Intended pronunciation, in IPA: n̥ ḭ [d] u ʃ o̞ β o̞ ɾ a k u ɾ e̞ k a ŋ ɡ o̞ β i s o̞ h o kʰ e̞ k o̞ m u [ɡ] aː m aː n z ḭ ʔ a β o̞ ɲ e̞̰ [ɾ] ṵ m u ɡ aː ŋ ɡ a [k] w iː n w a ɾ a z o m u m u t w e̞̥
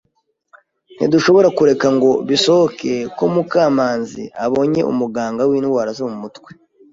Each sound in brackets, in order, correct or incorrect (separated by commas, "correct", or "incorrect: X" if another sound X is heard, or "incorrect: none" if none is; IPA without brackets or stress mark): correct, incorrect: k, incorrect: none, incorrect: none